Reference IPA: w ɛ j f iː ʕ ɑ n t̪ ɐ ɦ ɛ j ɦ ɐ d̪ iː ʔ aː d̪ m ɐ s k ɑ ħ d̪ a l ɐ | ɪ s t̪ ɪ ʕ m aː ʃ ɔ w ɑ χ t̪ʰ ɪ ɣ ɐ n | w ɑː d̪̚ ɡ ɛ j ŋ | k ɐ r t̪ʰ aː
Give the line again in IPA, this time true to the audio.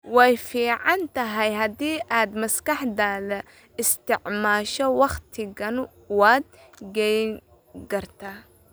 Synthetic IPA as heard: w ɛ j f iː ʕ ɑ n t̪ ɐ ɦ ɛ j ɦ ɐ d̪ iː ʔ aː d̪ m ɐ s k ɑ ħ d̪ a l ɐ | ɪ s t̪ ɪ ʕ m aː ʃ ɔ w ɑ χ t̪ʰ ɪ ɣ ɐ n | w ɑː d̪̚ ɡ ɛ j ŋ | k ɐ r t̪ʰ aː